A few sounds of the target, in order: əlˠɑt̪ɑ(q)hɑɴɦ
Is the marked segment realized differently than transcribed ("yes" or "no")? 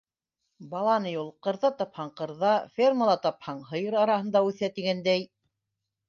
yes